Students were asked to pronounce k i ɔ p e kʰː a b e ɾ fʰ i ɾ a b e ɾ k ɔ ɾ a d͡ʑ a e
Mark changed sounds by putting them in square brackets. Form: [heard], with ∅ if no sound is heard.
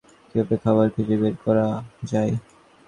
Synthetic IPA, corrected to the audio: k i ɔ p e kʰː a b [a] ɾ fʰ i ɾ [e] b e ɾ k ɔ ɾ a d͡ʑ a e